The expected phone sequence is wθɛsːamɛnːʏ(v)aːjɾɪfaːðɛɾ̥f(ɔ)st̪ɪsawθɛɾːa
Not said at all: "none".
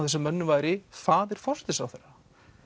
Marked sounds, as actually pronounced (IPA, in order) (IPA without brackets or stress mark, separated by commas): v, ɔ